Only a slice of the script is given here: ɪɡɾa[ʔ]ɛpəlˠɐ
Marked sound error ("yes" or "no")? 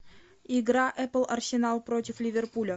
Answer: no